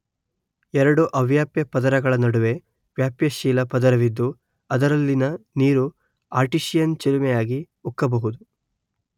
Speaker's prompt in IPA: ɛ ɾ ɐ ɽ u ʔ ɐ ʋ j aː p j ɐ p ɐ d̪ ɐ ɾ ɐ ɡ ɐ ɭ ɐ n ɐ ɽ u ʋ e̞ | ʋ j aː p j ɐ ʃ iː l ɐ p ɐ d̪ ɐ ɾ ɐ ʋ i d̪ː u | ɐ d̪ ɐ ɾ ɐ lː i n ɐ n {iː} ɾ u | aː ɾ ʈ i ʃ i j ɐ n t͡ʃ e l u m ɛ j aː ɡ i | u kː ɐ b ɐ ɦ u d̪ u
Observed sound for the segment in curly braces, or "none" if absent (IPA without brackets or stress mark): iː